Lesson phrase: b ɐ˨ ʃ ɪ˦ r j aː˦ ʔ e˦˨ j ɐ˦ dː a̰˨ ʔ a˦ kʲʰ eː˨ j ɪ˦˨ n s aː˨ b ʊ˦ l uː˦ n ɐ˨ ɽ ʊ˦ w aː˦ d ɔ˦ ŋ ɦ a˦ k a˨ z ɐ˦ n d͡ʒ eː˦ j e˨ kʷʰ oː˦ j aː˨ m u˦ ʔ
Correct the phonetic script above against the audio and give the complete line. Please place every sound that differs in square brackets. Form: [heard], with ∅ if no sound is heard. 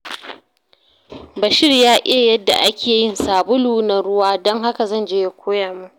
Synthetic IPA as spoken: b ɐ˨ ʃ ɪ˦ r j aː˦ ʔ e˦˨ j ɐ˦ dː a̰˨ ʔ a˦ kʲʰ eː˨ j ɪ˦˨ n s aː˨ b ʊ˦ l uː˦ n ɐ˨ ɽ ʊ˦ w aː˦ d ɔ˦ ŋ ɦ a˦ k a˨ z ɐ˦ n d͡ʒ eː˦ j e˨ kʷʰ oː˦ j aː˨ m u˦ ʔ